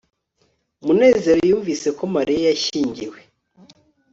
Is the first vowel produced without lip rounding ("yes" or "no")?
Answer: no